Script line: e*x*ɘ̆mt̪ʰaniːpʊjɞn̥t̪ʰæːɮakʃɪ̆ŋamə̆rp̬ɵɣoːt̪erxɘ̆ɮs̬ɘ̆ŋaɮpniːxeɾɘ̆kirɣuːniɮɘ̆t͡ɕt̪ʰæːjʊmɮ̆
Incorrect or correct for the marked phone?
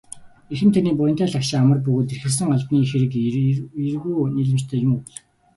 correct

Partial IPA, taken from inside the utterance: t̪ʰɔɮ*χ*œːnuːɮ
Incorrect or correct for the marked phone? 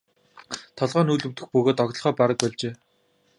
incorrect: ʁ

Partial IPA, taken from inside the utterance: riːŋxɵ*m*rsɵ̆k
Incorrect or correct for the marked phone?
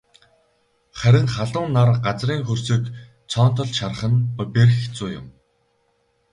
incorrect: none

